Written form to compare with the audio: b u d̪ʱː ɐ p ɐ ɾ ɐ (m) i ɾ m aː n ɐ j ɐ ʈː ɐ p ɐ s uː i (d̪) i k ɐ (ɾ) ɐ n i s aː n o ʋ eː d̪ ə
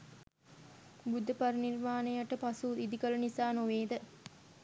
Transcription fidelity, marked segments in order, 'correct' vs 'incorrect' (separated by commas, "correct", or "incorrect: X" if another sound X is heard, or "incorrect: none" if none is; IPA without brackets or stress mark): incorrect: n, correct, incorrect: l